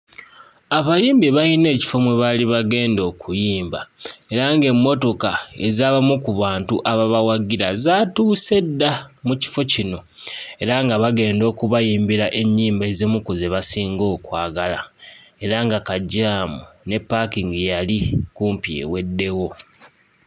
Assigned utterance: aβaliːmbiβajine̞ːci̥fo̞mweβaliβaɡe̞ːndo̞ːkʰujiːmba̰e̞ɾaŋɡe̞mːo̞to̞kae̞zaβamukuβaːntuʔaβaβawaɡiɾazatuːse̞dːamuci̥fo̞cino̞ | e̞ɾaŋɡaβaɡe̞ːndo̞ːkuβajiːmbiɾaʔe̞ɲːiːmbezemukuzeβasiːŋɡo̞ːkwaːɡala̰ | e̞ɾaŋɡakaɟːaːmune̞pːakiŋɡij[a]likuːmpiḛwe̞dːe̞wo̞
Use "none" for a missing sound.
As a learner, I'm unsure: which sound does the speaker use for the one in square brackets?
a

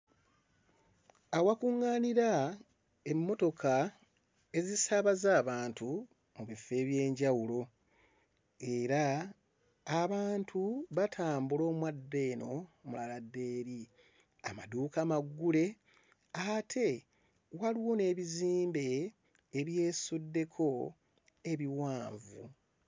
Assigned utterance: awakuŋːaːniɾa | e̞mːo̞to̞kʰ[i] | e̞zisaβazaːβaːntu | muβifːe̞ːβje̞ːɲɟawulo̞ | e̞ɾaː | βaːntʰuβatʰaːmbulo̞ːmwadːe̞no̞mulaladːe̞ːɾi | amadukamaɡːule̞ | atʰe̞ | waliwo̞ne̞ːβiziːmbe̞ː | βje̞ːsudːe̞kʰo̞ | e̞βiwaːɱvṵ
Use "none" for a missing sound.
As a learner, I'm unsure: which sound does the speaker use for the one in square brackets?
a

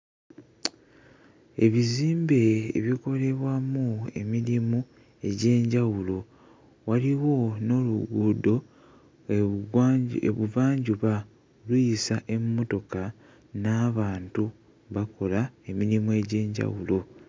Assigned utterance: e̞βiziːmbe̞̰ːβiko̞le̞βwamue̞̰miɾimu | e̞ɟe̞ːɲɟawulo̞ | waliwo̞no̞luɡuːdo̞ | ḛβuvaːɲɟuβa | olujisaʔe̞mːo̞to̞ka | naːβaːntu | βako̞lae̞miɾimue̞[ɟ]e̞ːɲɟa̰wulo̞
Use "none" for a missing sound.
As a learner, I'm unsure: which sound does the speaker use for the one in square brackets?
ɟ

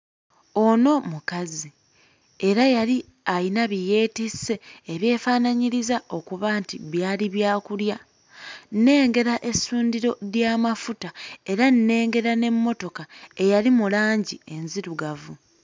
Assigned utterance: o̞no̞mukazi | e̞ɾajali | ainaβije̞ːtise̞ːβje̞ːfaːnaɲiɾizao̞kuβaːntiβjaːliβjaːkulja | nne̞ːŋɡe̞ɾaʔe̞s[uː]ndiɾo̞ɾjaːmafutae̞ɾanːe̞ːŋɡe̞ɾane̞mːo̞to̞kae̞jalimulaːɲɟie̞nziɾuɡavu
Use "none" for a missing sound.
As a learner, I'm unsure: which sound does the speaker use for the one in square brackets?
uː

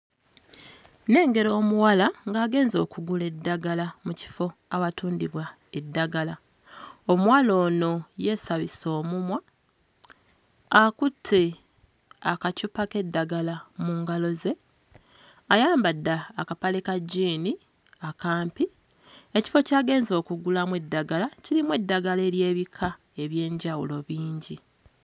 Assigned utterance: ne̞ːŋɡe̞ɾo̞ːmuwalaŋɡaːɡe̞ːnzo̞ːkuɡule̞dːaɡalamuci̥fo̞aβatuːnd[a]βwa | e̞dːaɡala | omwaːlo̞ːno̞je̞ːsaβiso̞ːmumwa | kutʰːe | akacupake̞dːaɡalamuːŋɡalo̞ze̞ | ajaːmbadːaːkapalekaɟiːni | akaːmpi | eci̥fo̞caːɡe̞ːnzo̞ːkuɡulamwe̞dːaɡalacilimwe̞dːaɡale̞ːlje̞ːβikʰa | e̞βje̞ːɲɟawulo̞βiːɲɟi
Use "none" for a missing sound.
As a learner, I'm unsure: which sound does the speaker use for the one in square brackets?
i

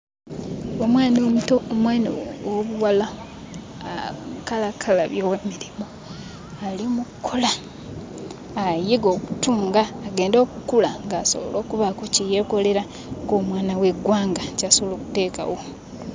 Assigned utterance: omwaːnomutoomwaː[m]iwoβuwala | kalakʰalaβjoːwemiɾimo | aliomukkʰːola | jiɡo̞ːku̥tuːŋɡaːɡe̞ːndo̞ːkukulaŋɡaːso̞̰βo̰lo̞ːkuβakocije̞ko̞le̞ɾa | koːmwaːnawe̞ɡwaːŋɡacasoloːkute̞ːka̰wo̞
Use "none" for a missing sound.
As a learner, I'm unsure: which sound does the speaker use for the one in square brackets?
n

